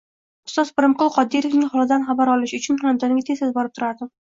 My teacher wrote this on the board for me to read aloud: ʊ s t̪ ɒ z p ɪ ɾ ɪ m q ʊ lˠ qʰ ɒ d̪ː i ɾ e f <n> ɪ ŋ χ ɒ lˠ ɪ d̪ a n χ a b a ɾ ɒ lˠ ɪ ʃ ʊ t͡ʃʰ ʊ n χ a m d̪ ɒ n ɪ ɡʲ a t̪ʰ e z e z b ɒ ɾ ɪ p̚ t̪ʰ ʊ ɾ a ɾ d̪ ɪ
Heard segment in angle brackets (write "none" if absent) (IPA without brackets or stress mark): n